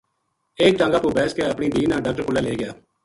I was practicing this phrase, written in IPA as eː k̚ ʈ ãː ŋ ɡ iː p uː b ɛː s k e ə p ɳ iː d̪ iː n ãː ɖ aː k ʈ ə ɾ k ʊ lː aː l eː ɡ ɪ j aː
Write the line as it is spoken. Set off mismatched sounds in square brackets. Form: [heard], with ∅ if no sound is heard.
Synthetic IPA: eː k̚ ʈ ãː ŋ ɡ [aː] p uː b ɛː s k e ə p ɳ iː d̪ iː n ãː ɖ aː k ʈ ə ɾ k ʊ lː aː l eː ɡ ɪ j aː

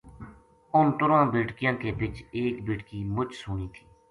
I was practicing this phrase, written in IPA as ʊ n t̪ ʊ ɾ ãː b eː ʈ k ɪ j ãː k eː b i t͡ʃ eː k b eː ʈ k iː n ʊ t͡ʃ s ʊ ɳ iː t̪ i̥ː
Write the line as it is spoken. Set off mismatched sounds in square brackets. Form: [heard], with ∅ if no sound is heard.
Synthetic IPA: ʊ n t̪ ʊ ɾ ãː b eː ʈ k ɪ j ãː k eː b [ɪ] t͡ʃ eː k b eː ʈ k iː [m] ʊ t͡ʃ s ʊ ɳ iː [t̪ʰ] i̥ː

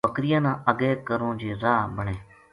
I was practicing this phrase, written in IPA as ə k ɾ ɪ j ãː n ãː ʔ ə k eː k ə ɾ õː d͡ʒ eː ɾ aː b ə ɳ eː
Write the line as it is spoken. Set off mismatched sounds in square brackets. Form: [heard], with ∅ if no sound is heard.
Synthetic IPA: ə k ɾ ɪ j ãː n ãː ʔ ə [ɡ] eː k ə ɾ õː d͡ʒ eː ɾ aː b ə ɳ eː

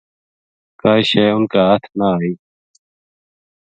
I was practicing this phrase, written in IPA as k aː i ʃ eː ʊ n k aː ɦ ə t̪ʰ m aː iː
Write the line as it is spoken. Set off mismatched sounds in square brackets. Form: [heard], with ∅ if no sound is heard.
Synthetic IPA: k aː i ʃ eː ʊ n k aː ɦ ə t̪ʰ [n] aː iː

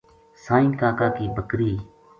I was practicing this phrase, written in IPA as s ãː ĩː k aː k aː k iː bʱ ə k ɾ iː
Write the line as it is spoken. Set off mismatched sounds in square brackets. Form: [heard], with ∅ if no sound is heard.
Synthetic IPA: s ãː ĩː k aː k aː k iː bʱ ə k ɾ iː

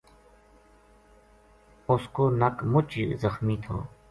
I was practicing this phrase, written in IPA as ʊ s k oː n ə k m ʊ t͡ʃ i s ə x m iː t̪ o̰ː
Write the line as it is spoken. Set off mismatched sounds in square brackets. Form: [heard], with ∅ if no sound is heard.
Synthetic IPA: ʊ s k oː n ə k m ʊ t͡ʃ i [z] ə x m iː [t̪ʰ] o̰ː

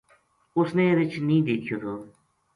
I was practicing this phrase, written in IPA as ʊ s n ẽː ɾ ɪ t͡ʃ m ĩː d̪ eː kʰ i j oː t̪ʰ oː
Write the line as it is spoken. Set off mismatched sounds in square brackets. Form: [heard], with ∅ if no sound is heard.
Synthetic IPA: ʊ s n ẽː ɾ ɪ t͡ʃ [n] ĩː d̪ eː kʰ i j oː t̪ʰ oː

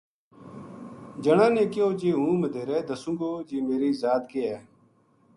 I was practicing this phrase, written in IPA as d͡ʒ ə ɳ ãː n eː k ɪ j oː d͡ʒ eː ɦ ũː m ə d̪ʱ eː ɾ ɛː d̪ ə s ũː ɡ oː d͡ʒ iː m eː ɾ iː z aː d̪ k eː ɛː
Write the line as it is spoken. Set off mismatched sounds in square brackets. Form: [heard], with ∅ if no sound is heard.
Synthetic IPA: d͡ʒ ə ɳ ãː n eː k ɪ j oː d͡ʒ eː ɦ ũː m ə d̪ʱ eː ɾ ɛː d̪ ə s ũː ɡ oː d͡ʒ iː m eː ɾ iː z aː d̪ k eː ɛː

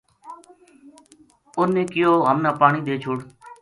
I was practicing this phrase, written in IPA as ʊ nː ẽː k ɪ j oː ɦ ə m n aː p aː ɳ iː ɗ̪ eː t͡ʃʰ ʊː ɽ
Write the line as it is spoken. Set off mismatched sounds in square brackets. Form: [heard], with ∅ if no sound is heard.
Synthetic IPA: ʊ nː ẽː k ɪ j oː ɦ ə m n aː p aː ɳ iː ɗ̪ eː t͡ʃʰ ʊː ɽ

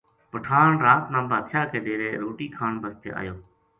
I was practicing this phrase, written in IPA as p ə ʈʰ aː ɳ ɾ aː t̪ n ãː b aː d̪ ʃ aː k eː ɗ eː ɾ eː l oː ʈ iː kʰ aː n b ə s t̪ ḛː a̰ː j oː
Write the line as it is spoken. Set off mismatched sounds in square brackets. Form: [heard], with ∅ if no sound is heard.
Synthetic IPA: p ə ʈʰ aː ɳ ɾ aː t̪ n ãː b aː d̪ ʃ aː k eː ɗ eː ɾ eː [ɾ] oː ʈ iː kʰ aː n b ə s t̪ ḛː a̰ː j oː

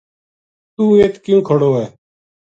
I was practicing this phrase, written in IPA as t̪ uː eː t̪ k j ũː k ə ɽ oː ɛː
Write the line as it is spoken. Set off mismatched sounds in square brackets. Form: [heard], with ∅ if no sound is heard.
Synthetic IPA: t̪ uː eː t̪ k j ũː [kʰ] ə ɽ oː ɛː

